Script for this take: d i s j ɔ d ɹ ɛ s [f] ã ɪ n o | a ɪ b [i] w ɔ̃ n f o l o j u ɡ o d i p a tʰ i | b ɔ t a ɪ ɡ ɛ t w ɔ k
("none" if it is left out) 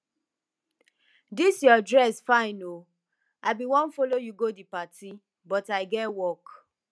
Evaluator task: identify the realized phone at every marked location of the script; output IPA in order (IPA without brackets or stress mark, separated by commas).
f, i